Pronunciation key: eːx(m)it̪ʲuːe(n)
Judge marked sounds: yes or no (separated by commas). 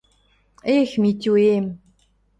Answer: yes, no